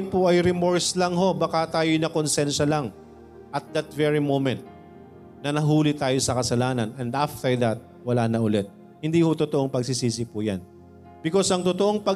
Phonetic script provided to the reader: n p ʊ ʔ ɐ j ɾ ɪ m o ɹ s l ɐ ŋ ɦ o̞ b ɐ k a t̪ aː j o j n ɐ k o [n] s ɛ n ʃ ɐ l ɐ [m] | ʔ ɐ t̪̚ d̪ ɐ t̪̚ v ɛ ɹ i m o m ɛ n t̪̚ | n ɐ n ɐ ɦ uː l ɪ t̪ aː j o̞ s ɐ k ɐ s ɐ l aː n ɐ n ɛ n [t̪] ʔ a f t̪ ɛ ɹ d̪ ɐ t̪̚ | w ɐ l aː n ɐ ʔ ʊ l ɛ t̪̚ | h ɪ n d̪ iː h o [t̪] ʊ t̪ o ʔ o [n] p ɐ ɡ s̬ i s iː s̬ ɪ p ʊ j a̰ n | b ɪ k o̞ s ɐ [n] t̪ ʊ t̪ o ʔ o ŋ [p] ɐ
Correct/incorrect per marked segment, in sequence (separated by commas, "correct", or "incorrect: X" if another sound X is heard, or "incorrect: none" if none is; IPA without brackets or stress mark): correct, incorrect: ŋ, incorrect: d̪, correct, incorrect: ŋ, incorrect: ŋ, correct